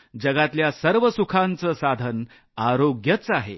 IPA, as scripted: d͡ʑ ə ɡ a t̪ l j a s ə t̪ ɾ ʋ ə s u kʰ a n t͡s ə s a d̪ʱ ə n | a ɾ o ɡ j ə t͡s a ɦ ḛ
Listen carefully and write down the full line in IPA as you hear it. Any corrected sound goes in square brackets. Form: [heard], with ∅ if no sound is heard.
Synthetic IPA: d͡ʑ ə ɡ a t̪ l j a s ə [∅] ɾ ʋ ə s u kʰ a n t͡s ə s a d̪ʱ ə n | a ɾ o ɡ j ə t͡s a ɦ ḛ